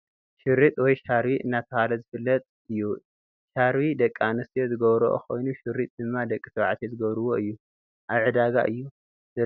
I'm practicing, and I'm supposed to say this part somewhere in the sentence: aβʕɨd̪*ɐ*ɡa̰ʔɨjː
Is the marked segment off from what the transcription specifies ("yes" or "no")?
yes